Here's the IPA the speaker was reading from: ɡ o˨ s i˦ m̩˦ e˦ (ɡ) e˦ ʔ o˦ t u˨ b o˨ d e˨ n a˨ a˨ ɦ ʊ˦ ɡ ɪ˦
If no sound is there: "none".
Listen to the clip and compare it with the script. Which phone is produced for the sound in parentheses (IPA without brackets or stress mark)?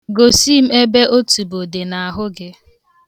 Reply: b